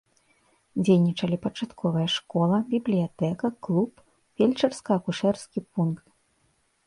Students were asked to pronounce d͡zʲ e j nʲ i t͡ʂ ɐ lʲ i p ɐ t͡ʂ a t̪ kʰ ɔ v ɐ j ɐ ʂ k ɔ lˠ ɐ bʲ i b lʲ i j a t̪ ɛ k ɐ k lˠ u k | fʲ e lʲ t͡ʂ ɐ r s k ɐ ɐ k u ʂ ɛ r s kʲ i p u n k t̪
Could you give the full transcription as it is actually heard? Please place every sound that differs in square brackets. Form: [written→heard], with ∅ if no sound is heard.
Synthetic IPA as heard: d͡zʲ e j nʲ i t͡ʂ ɐ lʲ i p ɐ t͡ʂ a t̪ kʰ ɔ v ɐ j ɐ ʂ k ɔ lˠ ɐ bʲ i b lʲ i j a t̪ ɛ k ɐ k lˠ u [k→p] | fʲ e lʲ t͡ʂ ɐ r s k ɐ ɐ k u ʂ ɛ r s kʲ i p u n k t̪